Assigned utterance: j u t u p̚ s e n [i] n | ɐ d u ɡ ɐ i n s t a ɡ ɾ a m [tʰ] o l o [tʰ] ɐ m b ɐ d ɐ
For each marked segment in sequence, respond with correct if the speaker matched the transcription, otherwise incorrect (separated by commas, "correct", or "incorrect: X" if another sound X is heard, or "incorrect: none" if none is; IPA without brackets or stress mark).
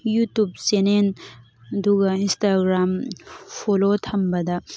incorrect: e, incorrect: pʰ, correct